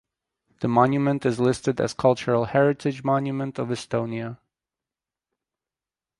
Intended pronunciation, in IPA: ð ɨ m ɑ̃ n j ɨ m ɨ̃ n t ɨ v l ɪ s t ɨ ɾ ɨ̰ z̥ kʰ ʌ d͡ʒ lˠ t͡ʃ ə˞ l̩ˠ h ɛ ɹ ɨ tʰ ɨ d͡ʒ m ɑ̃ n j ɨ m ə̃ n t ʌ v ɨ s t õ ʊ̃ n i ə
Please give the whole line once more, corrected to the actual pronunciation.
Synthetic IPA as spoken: ð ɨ m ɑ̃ n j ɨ m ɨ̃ n t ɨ z l ɪ s t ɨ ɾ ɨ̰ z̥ kʰ ʌ lˠ t͡ʃ ə˞ l̩ˠ h ɛ ɹ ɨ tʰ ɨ d͡ʒ m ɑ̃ n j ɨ m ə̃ n t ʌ v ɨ s t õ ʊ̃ n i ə